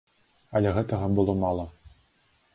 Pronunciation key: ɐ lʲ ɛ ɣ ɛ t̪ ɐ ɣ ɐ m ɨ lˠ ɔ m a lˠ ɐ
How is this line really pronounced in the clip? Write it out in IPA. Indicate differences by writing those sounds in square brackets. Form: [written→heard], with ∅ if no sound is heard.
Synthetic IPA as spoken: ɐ lʲ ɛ ɣ ɛ t̪ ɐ ɣ ɐ [m→b] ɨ lˠ ɔ m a lˠ ɐ